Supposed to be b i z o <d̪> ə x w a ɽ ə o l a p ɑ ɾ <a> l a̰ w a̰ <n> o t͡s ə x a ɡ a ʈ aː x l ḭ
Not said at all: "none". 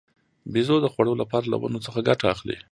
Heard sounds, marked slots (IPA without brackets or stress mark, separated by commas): d̪, a, n